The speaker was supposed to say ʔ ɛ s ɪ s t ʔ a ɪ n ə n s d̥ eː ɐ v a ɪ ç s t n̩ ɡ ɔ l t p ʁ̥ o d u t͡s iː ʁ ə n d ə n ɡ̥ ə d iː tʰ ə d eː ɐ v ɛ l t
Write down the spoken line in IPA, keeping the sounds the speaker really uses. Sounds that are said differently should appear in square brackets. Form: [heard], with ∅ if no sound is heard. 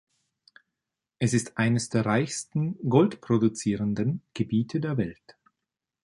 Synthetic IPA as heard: ʔ ɛ s ɪ s t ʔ a ɪ n ə [∅] s d̥ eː ɐ [ʁ] a ɪ ç s t n̩ ɡ ɔ l t p ʁ̥ o d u t͡s iː ʁ ə n d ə n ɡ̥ ə [b] iː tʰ ə d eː ɐ v ɛ l t